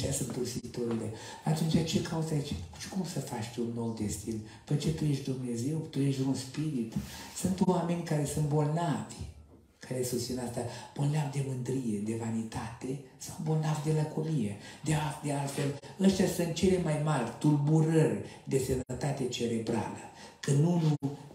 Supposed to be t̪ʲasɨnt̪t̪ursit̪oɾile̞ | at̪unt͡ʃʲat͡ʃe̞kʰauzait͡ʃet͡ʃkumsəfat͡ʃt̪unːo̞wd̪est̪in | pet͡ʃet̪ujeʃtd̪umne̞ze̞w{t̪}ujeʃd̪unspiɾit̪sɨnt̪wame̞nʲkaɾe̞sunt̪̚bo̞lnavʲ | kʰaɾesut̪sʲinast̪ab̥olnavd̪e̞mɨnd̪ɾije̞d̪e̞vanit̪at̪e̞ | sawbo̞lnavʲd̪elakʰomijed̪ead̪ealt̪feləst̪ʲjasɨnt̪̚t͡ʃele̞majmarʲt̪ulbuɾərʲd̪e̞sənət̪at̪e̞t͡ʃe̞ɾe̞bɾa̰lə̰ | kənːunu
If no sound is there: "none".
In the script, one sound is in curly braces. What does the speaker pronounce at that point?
t̪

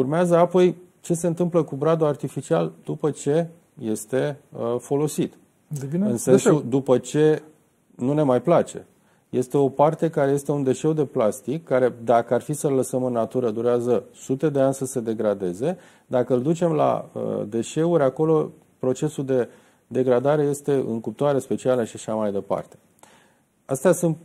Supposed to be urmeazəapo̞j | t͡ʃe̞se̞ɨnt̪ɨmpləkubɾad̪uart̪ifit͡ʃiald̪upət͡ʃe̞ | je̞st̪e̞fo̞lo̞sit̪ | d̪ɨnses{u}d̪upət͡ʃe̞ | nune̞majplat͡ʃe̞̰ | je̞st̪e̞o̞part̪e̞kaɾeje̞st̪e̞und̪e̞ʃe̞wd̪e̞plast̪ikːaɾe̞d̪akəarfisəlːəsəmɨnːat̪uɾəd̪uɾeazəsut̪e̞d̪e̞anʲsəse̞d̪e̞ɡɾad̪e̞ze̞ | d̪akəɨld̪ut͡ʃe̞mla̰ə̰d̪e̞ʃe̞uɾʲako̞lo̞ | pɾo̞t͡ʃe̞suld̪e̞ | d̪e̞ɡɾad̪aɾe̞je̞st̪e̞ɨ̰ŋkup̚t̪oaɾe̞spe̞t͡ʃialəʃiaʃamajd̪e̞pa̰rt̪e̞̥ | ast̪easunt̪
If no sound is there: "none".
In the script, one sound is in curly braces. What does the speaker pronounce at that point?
u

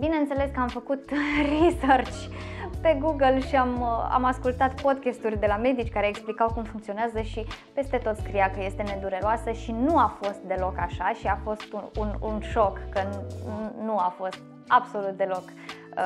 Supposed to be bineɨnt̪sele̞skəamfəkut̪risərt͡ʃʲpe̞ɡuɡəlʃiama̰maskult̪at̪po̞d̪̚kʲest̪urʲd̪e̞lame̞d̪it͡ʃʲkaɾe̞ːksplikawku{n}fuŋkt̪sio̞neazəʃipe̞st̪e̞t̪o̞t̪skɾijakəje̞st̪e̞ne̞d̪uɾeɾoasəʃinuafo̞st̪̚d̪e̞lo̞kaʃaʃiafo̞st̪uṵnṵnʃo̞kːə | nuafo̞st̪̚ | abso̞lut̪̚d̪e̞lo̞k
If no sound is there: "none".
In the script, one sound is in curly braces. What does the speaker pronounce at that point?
m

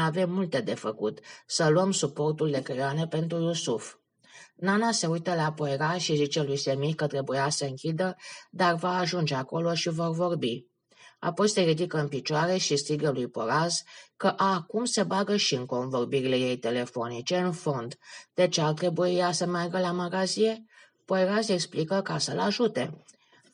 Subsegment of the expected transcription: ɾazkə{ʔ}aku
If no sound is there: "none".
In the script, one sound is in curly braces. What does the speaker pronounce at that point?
ʔ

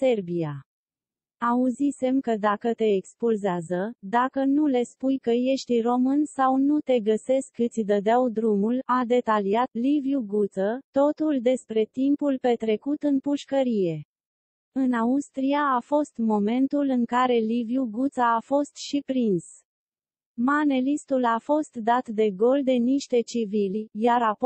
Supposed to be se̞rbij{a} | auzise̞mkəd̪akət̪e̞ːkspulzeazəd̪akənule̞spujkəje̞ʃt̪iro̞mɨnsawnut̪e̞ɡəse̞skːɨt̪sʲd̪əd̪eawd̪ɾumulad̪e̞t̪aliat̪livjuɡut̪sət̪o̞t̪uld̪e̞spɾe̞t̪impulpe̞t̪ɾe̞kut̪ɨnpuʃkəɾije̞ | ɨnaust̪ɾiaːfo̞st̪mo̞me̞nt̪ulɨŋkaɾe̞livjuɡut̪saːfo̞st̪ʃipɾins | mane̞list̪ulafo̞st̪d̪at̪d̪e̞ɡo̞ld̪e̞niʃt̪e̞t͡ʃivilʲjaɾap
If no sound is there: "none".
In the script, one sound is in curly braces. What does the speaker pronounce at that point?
a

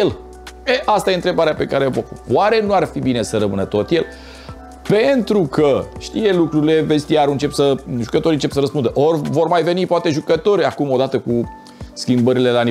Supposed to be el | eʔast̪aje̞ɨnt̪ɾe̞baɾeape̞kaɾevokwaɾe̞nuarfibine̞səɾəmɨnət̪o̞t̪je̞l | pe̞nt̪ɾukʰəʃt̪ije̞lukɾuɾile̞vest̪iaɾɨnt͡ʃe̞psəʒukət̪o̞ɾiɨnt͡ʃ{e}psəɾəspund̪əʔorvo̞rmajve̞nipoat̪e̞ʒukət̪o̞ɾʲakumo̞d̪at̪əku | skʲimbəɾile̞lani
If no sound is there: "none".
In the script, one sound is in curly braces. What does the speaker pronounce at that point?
e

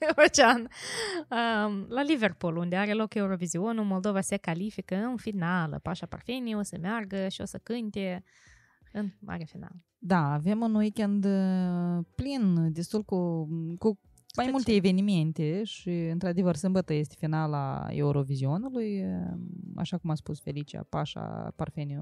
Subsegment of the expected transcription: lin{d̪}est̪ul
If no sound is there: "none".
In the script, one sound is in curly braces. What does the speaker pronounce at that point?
d̪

